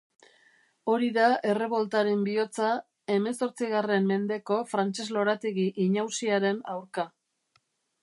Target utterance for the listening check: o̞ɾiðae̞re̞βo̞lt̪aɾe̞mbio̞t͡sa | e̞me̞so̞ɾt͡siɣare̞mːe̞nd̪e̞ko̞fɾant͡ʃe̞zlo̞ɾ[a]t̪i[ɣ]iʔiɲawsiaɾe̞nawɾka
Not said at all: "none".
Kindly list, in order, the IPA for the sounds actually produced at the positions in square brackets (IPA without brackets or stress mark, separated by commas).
a, ɣ